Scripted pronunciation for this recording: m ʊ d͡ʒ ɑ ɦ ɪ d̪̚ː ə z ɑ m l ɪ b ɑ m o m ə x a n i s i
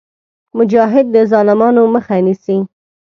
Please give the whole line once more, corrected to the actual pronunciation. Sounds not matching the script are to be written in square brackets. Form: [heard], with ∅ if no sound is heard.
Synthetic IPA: m ʊ d͡ʒ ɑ ɦ ɪ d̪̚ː ə z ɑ [∅] l ɪ [m] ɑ [n] o m ə x a n i s i